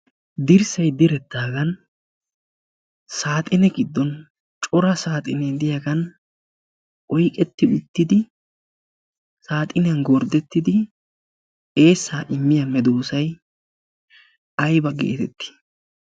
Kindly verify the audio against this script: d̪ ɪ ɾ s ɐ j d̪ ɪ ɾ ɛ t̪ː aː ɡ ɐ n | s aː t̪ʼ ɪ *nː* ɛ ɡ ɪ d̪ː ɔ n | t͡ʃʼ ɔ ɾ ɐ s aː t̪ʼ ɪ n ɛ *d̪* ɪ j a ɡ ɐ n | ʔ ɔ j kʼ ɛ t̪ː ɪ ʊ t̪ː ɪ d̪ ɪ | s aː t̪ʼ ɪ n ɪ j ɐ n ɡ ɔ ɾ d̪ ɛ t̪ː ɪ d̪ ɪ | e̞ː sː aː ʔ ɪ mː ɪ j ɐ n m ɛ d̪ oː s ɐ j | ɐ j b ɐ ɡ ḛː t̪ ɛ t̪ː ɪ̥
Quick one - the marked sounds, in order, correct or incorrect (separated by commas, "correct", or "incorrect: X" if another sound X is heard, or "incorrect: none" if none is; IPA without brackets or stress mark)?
incorrect: n, correct